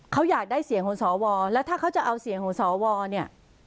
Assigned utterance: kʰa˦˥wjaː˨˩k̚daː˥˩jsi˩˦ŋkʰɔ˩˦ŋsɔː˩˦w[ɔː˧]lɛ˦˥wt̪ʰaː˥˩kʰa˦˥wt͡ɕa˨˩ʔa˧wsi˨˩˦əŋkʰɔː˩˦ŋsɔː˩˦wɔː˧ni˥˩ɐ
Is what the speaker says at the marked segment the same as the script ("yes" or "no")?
yes